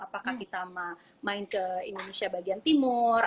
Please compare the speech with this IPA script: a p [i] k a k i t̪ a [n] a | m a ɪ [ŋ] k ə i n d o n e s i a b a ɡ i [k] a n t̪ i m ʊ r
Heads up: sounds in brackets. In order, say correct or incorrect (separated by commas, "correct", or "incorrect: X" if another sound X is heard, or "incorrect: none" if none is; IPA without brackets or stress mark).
incorrect: a, incorrect: m, incorrect: n, incorrect: none